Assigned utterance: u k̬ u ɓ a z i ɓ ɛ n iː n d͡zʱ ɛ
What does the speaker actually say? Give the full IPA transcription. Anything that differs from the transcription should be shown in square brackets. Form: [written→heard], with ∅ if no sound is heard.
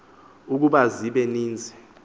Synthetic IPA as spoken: u k̬ u ɓ a z i ɓ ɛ n iː n d͡zʱ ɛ